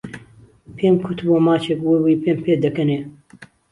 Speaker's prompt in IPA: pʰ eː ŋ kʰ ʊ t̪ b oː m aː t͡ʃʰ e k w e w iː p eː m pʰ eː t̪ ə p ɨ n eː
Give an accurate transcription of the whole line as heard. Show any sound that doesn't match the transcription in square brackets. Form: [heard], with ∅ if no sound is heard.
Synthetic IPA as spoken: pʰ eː [m] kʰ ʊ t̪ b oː m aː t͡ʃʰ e k w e w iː p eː m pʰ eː [d̪] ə [k] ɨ n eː